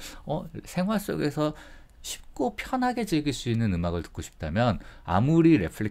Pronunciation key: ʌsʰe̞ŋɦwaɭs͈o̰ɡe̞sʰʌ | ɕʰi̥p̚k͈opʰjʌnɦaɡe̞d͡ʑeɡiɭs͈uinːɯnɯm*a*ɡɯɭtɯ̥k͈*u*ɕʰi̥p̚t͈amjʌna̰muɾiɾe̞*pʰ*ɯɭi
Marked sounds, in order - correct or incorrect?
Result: correct, incorrect: o, correct

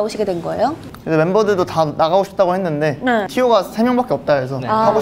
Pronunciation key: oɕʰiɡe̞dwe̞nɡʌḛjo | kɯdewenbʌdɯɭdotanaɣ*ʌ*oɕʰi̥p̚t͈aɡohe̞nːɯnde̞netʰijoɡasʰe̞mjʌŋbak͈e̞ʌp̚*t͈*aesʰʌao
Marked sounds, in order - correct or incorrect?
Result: incorrect: a, correct

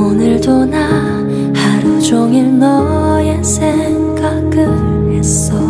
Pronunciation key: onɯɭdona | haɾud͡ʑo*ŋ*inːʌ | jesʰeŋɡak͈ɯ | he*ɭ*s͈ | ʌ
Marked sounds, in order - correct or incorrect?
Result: correct, incorrect: none

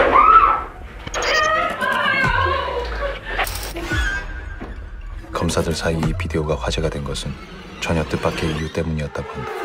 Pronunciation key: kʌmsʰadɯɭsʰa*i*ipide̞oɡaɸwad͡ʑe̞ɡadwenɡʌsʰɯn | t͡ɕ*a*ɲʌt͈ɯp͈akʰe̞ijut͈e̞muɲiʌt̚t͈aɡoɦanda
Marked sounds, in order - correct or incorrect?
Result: correct, incorrect: ʌ

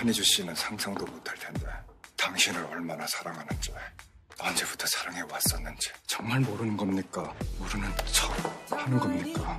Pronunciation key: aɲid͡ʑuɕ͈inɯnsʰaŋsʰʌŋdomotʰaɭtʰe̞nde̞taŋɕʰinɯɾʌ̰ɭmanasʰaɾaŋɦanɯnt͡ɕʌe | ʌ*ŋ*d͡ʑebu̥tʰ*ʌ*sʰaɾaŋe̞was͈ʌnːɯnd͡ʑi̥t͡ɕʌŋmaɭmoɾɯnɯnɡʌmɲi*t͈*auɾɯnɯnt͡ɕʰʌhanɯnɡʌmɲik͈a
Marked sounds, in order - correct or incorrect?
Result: incorrect: n, correct, incorrect: k͈

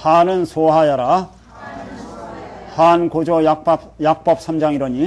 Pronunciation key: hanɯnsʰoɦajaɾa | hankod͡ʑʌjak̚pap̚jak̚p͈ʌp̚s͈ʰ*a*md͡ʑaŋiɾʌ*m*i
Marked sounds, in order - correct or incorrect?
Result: correct, incorrect: ɲ

